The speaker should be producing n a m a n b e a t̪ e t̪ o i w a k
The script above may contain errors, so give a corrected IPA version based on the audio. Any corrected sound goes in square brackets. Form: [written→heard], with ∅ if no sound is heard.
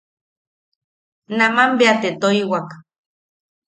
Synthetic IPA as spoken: n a m a [n→m] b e a t̪ e t̪ o i w a k